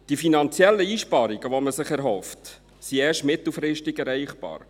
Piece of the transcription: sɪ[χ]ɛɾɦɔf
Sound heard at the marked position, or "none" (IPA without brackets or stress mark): χ